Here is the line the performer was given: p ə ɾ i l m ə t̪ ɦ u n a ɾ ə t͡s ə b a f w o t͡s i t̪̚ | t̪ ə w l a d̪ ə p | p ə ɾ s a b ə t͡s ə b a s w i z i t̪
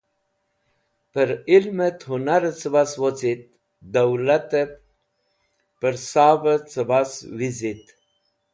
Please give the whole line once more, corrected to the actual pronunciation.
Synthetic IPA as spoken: p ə ɾ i l m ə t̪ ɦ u n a ɾ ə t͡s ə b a s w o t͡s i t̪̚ | d̪ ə w l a t̪ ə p | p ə ɾ s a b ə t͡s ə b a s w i z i t̪